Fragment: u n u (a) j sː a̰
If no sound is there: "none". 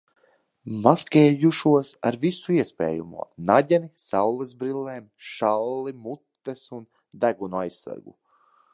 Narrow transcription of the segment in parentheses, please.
a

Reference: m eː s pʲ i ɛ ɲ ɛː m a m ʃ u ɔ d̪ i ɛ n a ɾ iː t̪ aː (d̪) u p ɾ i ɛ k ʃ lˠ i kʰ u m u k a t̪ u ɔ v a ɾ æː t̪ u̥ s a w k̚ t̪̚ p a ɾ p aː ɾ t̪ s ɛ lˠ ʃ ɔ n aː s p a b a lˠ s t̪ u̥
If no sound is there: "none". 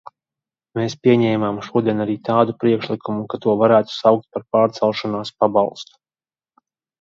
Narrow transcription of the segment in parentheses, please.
d̪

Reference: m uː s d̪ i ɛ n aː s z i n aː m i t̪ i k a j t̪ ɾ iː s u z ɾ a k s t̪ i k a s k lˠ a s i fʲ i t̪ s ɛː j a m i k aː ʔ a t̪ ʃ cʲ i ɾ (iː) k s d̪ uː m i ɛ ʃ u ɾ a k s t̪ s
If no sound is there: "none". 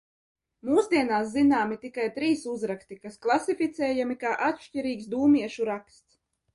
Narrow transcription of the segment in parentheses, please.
iː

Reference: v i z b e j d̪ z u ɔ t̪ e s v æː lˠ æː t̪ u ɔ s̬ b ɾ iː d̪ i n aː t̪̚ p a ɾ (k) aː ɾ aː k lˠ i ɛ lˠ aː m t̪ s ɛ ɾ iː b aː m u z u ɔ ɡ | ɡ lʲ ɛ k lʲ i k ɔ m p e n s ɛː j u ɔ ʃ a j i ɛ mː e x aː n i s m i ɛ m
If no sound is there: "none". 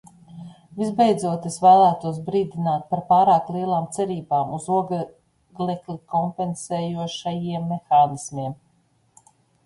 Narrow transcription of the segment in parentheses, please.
p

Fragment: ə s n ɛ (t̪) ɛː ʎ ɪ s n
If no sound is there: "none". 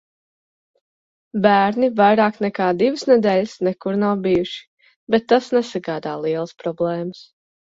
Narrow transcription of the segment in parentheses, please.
d̪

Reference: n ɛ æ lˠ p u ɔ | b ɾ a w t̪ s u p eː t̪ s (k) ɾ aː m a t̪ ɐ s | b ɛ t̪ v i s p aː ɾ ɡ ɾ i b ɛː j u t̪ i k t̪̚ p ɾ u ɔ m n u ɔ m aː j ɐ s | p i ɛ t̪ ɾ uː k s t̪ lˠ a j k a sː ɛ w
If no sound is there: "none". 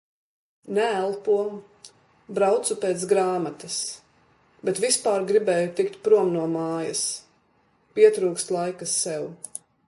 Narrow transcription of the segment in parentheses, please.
ɡ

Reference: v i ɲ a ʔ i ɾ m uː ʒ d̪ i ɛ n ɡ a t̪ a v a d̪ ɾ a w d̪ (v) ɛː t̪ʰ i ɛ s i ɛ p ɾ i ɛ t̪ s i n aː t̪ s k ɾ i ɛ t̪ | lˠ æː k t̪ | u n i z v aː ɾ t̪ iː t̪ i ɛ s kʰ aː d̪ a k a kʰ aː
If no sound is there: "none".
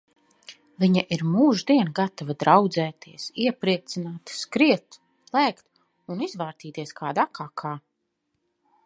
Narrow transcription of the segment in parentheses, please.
z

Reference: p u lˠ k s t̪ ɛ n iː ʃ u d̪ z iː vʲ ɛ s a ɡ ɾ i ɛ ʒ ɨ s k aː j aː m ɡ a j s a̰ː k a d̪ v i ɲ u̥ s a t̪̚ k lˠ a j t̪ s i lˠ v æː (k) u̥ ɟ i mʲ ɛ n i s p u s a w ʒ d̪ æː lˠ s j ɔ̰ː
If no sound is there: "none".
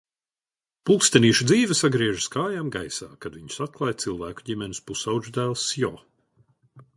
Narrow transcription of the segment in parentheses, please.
k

